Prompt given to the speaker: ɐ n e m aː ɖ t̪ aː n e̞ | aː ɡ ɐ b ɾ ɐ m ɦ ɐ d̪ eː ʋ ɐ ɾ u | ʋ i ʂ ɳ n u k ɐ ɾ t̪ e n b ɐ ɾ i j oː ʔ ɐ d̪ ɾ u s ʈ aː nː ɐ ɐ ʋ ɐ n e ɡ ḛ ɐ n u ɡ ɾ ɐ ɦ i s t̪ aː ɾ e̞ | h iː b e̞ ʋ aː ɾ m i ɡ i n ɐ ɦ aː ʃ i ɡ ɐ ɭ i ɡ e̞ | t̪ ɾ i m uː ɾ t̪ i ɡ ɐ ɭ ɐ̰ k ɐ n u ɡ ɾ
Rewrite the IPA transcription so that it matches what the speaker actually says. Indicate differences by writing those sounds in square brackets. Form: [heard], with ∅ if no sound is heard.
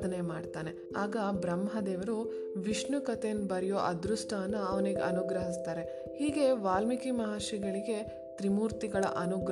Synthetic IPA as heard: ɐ n e m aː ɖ t̪ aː n e̞ | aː ɡ ɐ b ɾ ɐ m ɦ ɐ d̪ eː ʋ ɐ ɾ u | ʋ i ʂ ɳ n u k ɐ [∅] t̪ e n b ɐ ɾ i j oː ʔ ɐ d̪ ɾ u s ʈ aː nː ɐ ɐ ʋ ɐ n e ɡ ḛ ɐ n u ɡ ɾ ɐ ɦ i s t̪ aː ɾ e̞ | h iː [ɡ] e̞ ʋ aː [l] m i [k] i [m] ɐ ɦ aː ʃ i ɡ ɐ ɭ i ɡ e̞ | t̪ ɾ i m uː ɾ t̪ i ɡ ɐ ɭ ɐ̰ [ʔ] ɐ n u ɡ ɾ